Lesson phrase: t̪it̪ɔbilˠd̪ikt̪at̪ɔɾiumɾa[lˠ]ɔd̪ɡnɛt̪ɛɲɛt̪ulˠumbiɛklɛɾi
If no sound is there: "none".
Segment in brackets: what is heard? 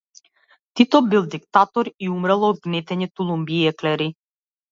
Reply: lˠ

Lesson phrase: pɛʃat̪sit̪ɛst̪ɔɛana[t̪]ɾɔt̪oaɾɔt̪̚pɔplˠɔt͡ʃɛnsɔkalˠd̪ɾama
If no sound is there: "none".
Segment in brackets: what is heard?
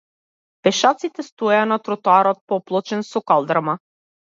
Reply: t̪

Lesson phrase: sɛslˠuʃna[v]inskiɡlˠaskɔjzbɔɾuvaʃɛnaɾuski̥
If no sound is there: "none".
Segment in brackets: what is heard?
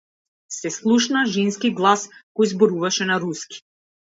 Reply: ʒ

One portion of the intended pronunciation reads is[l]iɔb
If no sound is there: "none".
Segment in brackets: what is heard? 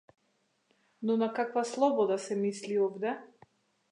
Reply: l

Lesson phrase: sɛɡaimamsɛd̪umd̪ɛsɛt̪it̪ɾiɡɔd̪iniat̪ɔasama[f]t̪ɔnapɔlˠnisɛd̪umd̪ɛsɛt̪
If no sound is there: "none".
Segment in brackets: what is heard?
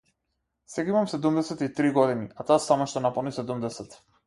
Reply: ʃ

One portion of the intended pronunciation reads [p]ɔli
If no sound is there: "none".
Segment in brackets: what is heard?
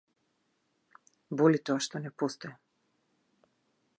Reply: b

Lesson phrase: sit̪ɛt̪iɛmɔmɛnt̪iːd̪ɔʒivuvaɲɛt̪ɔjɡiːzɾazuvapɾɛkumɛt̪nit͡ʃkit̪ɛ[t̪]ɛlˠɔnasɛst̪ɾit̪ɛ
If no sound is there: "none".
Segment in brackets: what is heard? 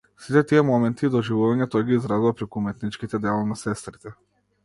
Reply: d̪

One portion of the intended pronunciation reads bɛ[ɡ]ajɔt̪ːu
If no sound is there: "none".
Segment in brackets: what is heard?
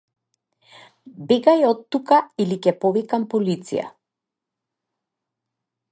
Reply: ɡ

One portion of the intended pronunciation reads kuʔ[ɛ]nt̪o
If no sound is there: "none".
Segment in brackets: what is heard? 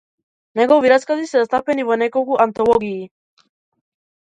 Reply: a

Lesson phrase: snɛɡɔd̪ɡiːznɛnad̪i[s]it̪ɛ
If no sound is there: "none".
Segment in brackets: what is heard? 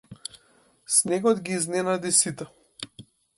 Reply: s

